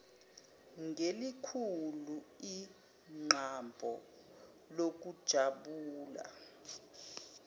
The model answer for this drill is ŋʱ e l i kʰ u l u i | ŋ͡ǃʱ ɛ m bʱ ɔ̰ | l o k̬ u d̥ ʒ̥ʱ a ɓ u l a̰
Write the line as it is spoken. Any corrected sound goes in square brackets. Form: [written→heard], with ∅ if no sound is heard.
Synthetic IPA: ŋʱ e l i kʰ u l u i | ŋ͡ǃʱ [ɛ→a] m bʱ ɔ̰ | l o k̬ u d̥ ʒ̥ʱ a ɓ [u→uː] l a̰